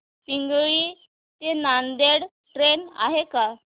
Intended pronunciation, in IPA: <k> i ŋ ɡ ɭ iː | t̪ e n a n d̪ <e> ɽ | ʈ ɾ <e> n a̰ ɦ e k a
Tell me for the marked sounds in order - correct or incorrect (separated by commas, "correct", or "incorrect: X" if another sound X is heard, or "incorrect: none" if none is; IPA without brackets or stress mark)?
incorrect: p, correct, correct